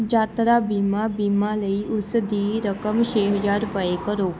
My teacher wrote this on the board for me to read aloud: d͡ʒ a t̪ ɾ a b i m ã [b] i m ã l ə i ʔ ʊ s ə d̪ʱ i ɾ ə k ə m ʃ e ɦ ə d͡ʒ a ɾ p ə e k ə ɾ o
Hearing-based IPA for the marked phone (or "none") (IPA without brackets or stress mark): b